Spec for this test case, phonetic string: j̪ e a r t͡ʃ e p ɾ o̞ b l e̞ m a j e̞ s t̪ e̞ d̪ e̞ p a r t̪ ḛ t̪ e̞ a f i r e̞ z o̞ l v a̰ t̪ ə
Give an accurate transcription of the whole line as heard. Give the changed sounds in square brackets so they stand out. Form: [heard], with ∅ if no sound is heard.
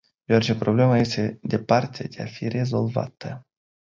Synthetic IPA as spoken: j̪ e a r t͡ʃ e p ɾ o̞ b l e̞ m a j e̞ s t̪ e̞ d̪ e̞ p a r t̪ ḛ [d̪] e̞ a f i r e̞ z o̞ l v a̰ t̪ ə